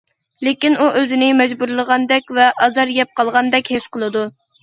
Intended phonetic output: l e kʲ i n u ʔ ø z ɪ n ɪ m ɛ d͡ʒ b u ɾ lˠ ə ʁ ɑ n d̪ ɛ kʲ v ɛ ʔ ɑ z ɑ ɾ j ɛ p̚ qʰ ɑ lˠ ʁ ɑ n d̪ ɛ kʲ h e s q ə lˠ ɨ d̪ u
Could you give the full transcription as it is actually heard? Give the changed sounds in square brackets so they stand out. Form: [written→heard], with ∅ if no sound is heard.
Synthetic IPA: l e kʲ i n u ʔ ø z ɪ n ɪ m ɛ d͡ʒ b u ɾ lˠ ə ʁ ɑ n d̪ ɛ kʲ v ɛ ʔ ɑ z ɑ ɾ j ɛ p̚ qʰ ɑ lˠ ʁ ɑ n d̪ ɛ kʲ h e s q ə lˠ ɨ d̪ u